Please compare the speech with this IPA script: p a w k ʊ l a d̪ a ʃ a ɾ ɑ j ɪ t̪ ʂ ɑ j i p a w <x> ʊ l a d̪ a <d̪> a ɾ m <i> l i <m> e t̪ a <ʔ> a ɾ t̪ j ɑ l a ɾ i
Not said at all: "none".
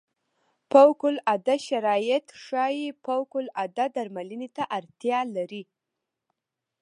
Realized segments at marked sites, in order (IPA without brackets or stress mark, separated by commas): k, d̪, a, n, ʔ